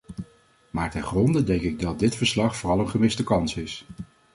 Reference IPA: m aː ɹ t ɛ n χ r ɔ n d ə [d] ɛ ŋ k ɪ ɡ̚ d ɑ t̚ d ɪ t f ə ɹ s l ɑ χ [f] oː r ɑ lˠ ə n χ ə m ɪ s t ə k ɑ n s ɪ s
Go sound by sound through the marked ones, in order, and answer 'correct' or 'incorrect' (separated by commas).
correct, correct